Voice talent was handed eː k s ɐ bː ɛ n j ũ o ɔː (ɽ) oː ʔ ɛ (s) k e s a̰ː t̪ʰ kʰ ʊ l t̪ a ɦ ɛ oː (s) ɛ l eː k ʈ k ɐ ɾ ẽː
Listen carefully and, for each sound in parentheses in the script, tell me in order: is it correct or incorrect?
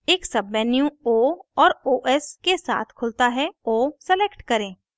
incorrect, correct, correct

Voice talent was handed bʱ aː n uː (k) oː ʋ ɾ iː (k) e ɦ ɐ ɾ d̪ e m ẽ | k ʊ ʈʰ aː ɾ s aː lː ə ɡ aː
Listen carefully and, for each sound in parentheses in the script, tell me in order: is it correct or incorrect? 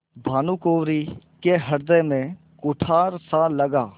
correct, correct

